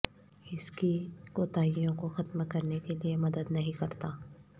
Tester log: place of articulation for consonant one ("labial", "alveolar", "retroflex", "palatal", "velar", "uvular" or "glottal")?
alveolar